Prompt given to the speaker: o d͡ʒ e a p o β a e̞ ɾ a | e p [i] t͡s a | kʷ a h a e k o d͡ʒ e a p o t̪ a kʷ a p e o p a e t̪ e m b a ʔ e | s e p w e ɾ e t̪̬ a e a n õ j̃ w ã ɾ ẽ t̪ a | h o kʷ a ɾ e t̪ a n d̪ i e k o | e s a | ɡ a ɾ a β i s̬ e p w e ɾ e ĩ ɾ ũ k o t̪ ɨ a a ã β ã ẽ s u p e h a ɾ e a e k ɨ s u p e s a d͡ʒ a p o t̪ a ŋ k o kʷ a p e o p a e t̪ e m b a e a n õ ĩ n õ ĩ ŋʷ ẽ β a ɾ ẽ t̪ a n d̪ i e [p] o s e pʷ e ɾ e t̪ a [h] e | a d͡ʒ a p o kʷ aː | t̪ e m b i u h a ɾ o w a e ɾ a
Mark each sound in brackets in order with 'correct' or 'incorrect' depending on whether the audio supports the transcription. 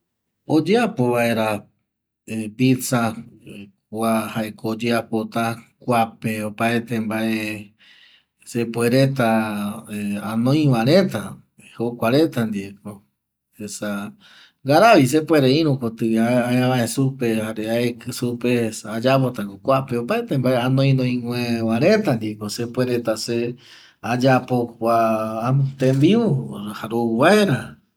correct, incorrect, incorrect

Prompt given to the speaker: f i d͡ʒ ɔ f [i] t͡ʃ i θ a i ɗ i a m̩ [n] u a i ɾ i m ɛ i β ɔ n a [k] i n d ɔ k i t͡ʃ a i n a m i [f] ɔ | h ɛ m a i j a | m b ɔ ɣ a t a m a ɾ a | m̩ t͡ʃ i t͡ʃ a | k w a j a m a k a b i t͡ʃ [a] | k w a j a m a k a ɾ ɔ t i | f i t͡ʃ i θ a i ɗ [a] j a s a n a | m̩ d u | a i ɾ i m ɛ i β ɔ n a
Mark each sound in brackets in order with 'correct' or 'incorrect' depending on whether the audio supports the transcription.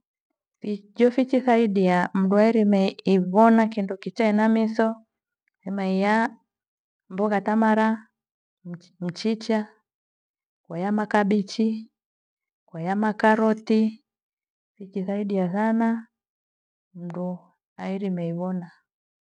correct, incorrect, correct, incorrect, incorrect, incorrect

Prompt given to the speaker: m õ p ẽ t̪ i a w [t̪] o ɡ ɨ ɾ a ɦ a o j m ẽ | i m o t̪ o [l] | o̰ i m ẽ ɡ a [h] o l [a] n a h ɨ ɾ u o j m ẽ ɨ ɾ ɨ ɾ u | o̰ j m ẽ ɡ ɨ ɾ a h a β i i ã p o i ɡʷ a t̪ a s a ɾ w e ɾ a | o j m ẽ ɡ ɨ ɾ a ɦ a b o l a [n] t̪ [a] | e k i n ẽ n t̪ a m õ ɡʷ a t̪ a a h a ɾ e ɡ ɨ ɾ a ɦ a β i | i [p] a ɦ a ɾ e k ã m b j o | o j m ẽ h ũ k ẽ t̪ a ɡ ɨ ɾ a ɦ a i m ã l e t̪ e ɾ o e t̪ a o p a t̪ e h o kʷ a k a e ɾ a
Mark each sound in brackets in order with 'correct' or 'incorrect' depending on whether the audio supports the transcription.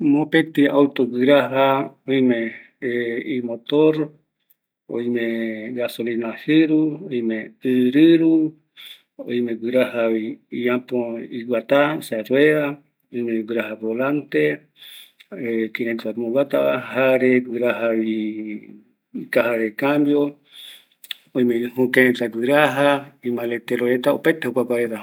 correct, incorrect, incorrect, incorrect, correct, incorrect, incorrect

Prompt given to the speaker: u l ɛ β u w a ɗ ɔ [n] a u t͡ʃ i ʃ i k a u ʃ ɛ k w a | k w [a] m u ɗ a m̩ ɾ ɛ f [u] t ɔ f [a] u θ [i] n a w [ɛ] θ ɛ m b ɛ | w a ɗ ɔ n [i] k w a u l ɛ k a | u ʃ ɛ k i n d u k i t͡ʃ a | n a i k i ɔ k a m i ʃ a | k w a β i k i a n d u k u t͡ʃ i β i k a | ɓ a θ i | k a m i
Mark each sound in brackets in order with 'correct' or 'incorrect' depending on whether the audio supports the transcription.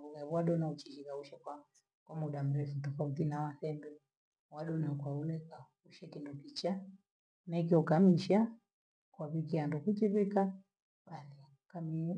correct, correct, correct, correct, correct, incorrect, incorrect

